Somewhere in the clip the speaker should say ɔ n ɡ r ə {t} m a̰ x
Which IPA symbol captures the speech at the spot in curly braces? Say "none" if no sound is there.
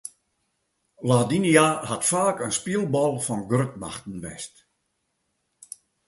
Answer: t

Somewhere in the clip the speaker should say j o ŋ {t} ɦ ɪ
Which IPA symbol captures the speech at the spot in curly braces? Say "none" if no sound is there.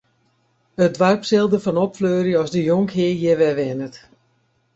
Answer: k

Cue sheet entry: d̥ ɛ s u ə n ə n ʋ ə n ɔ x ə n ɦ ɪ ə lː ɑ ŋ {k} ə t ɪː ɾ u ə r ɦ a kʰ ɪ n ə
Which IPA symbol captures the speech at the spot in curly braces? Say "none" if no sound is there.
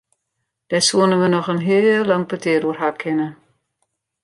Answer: p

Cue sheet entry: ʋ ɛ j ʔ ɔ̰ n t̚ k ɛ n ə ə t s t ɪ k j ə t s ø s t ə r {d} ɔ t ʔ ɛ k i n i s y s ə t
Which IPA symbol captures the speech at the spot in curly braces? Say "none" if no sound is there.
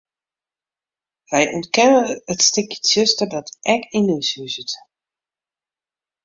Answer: d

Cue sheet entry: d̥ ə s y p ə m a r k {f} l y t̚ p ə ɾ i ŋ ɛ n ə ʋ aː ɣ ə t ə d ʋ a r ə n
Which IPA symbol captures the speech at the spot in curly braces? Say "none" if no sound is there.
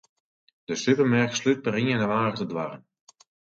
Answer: s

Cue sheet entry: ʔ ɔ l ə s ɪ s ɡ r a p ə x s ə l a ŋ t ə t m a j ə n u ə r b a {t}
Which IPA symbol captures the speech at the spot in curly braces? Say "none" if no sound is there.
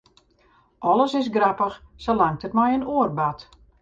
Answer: t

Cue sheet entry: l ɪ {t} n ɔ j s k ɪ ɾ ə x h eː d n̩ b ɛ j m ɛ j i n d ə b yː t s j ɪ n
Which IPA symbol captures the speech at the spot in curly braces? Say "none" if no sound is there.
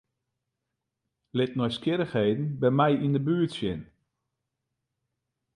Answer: t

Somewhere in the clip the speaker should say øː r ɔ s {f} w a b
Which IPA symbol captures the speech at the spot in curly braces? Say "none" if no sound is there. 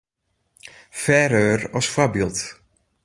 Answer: f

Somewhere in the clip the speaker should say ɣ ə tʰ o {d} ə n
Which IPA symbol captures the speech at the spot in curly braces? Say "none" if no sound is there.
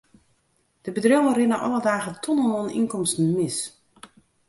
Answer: n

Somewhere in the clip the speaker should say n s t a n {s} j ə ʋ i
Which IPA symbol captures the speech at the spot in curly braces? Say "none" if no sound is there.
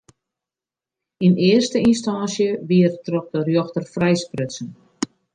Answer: s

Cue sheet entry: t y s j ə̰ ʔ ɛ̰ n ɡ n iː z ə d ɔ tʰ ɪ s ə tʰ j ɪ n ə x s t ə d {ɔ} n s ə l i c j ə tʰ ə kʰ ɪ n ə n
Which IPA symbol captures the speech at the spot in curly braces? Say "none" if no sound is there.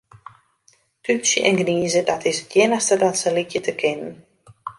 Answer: ɔ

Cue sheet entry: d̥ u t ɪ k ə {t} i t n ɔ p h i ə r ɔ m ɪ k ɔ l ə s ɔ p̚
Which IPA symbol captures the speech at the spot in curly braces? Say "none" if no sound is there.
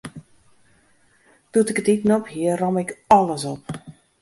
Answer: t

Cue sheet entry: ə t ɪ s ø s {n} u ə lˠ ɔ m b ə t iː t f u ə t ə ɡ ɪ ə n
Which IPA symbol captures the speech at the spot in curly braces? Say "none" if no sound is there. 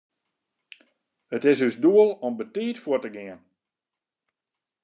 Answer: d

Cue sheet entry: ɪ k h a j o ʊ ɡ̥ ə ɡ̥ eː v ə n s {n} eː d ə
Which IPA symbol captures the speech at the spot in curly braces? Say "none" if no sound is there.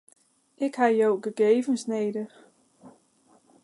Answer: n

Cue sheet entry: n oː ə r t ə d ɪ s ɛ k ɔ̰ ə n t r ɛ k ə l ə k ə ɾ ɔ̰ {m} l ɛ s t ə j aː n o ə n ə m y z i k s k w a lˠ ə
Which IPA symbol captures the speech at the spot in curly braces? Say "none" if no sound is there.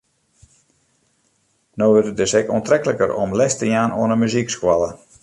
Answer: m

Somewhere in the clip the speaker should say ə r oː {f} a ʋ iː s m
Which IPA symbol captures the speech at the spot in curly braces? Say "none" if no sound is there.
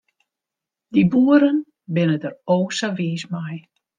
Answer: s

